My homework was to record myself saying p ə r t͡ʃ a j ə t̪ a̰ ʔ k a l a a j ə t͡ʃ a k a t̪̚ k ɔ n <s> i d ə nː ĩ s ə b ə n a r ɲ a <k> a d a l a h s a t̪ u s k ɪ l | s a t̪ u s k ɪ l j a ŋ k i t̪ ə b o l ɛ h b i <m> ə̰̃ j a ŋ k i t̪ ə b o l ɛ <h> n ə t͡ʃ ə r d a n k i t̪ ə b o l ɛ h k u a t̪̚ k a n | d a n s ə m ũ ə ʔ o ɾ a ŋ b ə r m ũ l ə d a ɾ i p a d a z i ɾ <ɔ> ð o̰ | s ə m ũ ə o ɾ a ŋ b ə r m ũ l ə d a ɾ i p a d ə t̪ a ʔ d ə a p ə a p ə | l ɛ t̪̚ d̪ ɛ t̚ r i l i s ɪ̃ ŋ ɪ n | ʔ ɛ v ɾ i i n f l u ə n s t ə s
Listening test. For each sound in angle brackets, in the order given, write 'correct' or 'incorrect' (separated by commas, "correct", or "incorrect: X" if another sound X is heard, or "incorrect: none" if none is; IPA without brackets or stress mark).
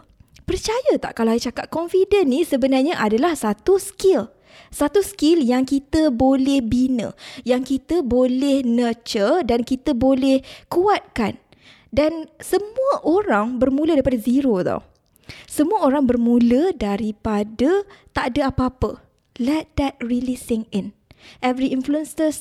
incorrect: f, incorrect: ʔ, incorrect: n, correct, incorrect: o